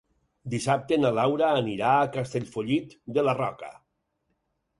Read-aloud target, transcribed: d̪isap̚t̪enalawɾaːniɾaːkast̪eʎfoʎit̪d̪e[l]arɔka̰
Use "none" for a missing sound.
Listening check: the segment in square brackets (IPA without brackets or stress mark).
l